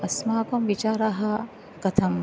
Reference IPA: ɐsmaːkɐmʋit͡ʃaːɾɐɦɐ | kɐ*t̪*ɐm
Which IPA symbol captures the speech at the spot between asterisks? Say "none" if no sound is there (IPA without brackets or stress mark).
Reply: t̪ʰ